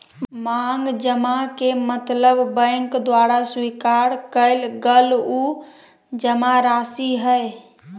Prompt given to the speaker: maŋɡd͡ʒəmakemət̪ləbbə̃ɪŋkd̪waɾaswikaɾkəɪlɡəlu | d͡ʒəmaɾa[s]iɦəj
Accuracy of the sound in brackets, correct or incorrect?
correct